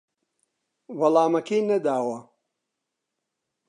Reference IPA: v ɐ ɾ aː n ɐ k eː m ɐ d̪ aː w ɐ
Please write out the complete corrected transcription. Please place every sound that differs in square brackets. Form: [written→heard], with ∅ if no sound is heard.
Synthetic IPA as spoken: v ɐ [ɾ→l] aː [n→m] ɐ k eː [m→n] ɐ d̪ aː w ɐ